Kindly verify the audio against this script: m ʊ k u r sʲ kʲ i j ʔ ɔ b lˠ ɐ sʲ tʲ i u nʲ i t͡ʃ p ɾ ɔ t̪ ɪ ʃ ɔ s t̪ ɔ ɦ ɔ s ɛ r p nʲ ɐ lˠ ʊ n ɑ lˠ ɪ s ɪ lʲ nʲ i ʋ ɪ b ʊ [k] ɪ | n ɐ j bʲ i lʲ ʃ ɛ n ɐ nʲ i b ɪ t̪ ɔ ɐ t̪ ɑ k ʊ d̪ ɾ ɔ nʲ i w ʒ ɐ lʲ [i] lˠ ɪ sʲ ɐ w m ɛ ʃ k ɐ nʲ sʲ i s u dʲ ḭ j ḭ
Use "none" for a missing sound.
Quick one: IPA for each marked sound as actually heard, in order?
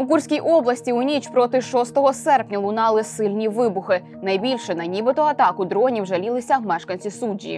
x, i

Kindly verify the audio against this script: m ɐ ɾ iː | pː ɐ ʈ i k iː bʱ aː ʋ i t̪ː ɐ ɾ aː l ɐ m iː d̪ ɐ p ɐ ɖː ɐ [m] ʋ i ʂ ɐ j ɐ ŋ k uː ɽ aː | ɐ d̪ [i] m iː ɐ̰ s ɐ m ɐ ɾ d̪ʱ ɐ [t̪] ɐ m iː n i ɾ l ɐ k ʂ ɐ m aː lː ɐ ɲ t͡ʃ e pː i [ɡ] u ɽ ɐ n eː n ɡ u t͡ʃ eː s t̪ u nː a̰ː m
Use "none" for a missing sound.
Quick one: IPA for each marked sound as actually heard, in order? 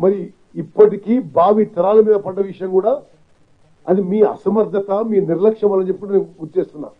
none, i, t̪, k

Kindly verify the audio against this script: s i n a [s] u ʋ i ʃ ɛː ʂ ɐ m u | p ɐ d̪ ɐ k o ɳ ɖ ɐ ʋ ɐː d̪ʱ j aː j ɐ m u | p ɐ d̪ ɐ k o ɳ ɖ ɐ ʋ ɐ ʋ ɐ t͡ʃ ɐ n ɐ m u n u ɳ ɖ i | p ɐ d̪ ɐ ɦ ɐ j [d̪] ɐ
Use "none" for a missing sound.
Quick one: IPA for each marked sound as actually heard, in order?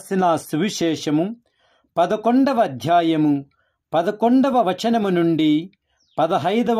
s, d̪

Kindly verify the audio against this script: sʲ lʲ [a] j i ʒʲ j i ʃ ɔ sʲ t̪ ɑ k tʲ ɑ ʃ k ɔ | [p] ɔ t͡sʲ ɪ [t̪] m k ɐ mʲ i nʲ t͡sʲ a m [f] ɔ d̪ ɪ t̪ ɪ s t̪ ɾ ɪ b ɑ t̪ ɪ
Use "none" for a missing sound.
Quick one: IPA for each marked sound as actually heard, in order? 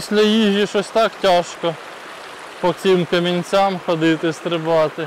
ɐ, p, none, x

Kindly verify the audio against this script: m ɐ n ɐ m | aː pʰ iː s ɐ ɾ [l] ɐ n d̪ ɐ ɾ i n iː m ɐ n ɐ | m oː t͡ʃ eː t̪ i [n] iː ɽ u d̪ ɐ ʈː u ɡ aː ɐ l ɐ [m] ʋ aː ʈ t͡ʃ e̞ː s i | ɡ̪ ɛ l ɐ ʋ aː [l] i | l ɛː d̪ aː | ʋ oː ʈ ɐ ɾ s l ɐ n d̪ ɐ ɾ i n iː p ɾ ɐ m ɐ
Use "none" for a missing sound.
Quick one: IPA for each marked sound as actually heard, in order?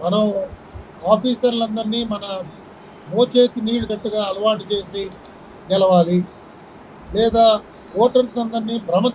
l, n, none, l

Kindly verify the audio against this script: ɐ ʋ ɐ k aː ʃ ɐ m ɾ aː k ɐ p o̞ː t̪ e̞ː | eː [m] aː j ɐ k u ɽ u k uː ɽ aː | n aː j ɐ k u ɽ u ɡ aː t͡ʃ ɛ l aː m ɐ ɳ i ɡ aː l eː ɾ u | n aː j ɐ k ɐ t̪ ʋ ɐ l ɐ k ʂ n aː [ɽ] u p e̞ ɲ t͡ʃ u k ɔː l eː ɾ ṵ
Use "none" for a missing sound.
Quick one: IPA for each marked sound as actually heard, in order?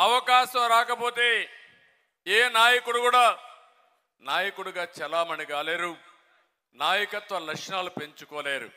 n, l

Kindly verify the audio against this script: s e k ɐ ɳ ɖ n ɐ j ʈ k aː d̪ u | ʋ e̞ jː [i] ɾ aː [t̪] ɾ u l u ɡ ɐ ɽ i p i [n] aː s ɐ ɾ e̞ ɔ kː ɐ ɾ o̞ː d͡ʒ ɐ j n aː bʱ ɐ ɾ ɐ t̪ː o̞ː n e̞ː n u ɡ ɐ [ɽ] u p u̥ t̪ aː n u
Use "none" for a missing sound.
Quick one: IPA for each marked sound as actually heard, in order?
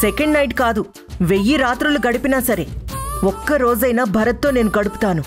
i, t̪, n, ɽ

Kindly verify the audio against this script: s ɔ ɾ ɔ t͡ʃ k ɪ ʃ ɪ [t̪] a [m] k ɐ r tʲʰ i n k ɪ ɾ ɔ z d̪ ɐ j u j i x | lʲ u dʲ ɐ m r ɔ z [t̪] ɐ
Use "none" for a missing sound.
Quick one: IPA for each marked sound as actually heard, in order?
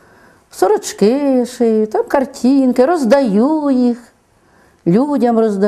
t̪, m, d̪

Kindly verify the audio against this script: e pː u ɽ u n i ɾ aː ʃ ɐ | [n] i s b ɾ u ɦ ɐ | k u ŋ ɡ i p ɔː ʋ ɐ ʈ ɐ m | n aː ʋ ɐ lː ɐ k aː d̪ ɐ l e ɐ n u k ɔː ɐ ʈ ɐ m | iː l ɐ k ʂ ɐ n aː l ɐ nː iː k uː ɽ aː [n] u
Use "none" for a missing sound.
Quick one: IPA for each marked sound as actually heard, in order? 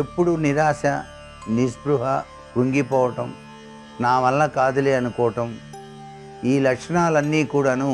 n, n

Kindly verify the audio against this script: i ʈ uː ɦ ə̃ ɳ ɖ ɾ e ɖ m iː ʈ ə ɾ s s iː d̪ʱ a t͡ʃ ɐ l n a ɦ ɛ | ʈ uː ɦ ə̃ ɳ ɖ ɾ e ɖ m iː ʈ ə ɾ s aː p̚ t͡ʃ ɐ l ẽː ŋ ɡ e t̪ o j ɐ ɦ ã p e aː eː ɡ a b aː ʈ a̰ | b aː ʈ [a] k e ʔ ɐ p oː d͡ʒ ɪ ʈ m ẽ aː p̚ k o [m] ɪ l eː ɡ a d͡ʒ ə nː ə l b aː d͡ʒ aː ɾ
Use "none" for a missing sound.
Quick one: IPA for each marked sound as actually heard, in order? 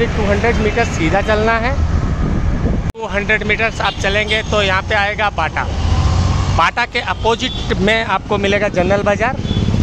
a, m

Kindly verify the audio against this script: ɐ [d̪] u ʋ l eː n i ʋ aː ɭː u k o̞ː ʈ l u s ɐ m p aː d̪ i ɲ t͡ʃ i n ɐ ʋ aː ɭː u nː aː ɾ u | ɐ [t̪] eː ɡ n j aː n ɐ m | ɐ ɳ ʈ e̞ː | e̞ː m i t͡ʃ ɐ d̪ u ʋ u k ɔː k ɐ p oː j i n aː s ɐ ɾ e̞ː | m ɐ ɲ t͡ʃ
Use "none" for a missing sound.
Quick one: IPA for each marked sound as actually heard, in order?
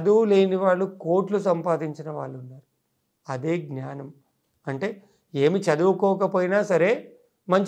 d̪, d̪

